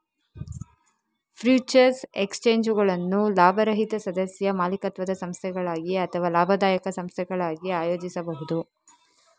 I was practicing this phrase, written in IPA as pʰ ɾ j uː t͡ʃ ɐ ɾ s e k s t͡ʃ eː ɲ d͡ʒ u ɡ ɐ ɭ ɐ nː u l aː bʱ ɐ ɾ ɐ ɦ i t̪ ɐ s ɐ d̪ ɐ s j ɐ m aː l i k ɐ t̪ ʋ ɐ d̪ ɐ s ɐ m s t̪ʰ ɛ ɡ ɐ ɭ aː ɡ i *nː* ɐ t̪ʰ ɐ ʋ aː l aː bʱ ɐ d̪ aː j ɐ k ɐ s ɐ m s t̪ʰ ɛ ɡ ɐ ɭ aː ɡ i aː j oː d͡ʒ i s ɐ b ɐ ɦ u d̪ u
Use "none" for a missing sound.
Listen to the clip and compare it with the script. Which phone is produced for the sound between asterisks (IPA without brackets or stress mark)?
none